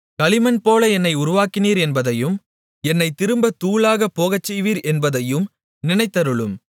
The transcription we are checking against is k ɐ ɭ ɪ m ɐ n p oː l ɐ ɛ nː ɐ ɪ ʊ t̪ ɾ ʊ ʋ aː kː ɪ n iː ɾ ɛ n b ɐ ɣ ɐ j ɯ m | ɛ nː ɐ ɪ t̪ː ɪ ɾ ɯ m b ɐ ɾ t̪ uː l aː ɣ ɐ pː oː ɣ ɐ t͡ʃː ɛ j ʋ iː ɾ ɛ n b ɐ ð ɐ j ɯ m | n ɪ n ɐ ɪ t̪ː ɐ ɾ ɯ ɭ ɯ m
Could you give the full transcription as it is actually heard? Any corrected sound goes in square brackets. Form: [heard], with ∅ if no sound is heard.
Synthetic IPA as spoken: k ɐ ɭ ɪ m ɐ n p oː l ɐ ɛ nː ɐ ɪ ʊ [∅] ɾ ʊ ʋ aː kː ɪ n iː ɾ ɛ n b ɐ [ð] ɐ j ɯ m | ɛ nː ɐ ɪ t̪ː ɪ ɾ ɯ m b ɐ [∅] t̪ uː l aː ɣ ɐ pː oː ɣ ɐ t͡ʃː ɛ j ʋ iː ɾ ɛ n b ɐ ð ɐ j ɯ m | n ɪ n ɐ ɪ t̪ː ɐ ɾ ɯ ɭ ɯ m